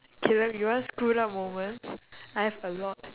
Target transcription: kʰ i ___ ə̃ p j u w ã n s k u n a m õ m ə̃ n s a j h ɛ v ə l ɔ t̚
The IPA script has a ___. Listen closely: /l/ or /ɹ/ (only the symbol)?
l